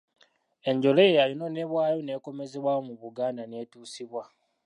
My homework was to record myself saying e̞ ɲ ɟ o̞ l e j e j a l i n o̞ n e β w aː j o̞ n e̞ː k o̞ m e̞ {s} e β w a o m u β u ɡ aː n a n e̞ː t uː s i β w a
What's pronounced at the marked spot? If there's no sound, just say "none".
z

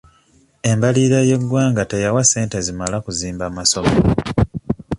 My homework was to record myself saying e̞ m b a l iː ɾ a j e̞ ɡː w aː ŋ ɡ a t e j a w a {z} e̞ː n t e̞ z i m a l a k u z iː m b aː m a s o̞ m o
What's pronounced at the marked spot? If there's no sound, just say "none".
s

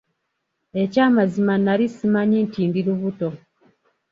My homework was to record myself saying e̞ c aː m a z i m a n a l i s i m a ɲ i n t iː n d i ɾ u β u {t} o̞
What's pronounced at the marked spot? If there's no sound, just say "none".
t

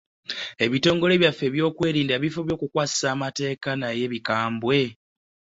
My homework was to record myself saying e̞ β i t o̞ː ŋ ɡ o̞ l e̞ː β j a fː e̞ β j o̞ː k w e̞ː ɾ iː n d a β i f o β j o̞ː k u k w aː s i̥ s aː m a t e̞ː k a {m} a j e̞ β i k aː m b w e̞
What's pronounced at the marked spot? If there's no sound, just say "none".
n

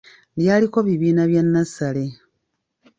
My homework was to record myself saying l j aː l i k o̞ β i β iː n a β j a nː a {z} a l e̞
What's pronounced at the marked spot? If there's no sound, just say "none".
s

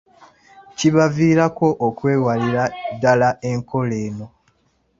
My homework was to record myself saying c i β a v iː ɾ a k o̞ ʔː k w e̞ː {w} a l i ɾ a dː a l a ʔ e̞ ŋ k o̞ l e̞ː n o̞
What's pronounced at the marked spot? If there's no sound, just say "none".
w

